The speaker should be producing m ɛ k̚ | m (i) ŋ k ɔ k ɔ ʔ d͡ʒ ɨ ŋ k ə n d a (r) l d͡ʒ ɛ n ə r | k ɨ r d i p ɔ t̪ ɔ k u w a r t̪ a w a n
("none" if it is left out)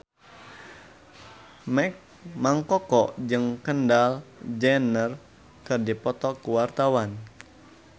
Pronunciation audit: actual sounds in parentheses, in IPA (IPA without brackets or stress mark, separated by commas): a, none